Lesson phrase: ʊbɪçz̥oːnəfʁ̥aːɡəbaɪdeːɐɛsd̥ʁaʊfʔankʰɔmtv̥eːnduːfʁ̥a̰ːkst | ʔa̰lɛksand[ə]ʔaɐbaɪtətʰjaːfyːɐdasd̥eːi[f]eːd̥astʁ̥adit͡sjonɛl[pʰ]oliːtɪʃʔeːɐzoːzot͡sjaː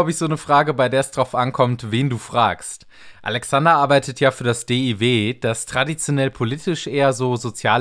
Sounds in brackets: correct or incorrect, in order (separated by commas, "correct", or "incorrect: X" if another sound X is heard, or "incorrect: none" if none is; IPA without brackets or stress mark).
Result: incorrect: ɐ, incorrect: v, correct